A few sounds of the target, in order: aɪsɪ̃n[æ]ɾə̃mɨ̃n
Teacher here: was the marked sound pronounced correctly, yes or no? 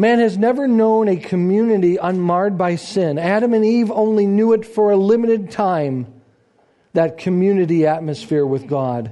yes